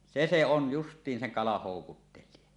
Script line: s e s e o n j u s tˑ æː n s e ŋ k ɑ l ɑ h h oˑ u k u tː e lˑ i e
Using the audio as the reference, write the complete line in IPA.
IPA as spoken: s e s e o n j u s tˑ iː n s e ŋ k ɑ l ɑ h h oˑ u k u tː e lˑ i e